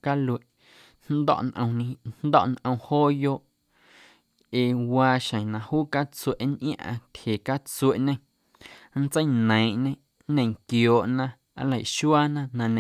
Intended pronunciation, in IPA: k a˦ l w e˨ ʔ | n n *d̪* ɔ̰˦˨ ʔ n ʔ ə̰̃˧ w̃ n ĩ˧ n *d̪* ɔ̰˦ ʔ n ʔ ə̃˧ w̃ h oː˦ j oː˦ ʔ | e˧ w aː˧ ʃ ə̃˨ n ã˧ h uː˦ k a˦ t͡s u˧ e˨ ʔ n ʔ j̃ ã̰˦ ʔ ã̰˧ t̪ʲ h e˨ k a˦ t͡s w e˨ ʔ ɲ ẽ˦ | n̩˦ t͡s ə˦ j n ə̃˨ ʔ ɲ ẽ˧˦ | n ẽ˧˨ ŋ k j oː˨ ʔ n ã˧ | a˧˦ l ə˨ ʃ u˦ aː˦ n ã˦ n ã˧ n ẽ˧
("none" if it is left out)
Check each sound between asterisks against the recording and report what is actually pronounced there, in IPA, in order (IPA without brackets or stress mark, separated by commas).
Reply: d̪, d̪